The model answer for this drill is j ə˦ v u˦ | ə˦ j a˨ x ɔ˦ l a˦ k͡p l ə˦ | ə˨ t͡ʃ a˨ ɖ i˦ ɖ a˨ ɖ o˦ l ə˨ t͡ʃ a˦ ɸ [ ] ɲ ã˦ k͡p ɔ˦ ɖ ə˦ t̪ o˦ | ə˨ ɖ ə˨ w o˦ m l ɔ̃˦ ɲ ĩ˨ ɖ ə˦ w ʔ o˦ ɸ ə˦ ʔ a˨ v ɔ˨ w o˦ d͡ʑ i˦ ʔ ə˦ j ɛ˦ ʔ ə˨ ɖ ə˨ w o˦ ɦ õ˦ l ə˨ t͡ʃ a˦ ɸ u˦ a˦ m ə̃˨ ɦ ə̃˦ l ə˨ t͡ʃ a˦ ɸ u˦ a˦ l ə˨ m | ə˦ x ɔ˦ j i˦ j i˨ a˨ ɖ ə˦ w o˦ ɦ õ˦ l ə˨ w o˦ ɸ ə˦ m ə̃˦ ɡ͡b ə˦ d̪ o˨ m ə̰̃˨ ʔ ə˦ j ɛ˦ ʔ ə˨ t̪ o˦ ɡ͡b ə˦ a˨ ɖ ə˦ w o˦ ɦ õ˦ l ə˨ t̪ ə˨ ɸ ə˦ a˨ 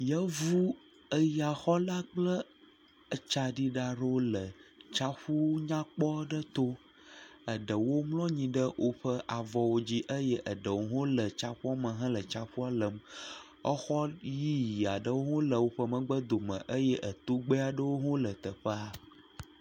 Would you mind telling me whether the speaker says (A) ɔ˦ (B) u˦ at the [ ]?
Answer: B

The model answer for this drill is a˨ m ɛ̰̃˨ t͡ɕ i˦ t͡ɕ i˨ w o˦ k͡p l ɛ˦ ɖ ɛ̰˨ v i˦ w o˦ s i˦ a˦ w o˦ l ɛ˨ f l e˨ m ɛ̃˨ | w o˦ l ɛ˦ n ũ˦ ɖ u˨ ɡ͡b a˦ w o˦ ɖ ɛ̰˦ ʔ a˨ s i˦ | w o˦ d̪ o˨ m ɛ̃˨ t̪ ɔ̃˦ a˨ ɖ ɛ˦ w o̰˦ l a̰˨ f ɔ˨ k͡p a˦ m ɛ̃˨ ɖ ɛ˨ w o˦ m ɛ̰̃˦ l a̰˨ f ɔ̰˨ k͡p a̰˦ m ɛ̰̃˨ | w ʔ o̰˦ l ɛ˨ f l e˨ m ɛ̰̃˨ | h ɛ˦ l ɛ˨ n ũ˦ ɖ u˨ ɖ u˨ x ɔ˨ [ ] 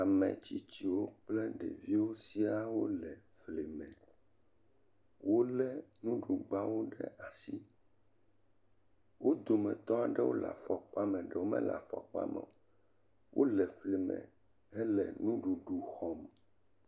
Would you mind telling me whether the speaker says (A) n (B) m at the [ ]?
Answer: B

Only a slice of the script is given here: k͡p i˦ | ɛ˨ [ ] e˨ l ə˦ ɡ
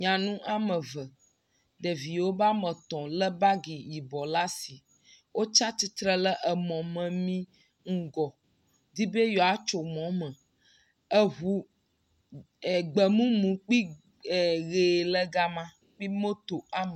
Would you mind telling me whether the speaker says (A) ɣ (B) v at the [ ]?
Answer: A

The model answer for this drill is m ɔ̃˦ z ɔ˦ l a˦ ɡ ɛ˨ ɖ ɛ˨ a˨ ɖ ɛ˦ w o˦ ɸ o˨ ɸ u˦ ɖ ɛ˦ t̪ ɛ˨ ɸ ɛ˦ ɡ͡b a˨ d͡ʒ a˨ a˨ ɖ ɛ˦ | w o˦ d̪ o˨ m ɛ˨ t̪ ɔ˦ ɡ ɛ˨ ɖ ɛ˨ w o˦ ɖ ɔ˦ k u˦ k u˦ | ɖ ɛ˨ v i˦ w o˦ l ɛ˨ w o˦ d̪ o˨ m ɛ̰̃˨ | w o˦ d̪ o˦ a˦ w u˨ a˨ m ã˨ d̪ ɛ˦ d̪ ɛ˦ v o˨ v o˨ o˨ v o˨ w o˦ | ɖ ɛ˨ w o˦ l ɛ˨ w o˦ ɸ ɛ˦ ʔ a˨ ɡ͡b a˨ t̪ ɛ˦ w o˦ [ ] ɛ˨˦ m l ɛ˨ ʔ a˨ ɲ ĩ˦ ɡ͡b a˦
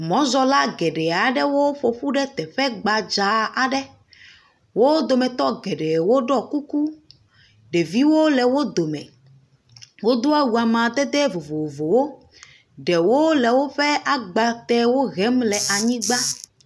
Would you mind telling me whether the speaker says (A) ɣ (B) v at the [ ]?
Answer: A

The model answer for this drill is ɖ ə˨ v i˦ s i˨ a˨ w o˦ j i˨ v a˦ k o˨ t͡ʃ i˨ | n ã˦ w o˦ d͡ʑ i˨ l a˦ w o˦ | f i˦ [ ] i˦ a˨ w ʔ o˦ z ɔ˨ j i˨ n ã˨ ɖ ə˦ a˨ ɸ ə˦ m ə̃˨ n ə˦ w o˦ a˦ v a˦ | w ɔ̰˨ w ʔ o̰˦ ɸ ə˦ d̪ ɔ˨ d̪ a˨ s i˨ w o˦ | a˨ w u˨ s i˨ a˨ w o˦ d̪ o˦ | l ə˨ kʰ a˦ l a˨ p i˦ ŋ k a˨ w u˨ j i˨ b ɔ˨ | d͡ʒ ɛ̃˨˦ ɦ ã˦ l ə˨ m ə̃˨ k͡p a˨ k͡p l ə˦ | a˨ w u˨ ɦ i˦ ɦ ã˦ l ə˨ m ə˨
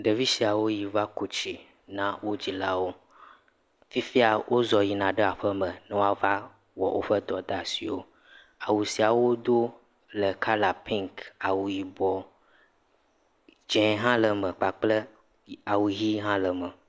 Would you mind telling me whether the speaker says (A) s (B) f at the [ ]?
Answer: B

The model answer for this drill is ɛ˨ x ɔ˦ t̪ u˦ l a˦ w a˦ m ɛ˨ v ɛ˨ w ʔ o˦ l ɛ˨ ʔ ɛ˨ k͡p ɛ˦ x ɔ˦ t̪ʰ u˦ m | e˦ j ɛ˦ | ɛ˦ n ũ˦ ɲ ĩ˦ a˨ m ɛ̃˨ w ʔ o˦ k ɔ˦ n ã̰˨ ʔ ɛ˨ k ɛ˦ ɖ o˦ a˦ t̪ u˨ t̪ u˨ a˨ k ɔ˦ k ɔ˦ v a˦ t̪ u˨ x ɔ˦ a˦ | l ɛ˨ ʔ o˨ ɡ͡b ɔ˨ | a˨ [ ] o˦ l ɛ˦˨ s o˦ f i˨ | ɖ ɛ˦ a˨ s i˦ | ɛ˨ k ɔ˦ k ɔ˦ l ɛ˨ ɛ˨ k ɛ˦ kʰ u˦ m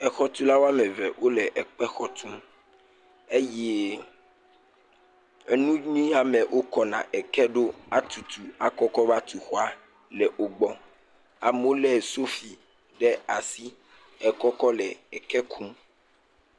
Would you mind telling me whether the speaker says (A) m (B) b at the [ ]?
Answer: A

